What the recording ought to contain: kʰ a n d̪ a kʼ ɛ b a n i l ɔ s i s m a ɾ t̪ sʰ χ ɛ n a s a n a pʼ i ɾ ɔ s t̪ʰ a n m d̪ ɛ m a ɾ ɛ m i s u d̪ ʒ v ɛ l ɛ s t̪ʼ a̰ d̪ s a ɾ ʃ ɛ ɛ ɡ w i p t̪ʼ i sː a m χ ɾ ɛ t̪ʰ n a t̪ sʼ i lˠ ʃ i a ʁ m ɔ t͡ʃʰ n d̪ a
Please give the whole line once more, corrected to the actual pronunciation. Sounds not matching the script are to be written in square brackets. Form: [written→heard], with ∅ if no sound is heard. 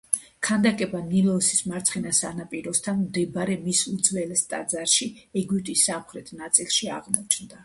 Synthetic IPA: kʰ a n d̪ a kʼ ɛ b a n i l ɔ s i s m a ɾ t̪ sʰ χ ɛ n a s a n a pʼ i ɾ ɔ s t̪ʰ a n m d̪ ɛ [m→b] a ɾ ɛ m i s u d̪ [ʒ→z] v ɛ l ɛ s t̪ʼ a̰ d̪ [s→z] a ɾ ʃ [ɛ→i] ɛ ɡ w i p t̪ʼ i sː a m χ ɾ ɛ t̪ʰ n a t̪ sʼ i lˠ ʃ i a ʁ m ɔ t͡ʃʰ n d̪ a